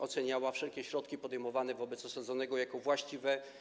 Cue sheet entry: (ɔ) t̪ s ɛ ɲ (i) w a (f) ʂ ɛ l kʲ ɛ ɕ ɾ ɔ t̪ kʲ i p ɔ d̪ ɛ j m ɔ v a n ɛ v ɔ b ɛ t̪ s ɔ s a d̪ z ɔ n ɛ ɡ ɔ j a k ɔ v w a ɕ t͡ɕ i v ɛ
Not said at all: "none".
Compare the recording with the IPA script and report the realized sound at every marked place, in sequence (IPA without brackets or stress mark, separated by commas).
ɔ, a, f